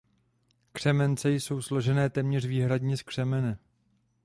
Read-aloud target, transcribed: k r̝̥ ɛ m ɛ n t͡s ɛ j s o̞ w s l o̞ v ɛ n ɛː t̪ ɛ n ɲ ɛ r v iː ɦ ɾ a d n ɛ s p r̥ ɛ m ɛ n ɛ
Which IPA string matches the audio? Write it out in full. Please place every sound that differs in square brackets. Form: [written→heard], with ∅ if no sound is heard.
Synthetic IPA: k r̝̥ ɛ m ɛ n t͡s ɛ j s o̞ w s l o̞ [v→ʒ] ɛ n ɛː t̪ ɛ [n→m] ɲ ɛ r v iː ɦ ɾ a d [n→ɲ] ɛ s [p→k] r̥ ɛ m ɛ n ɛ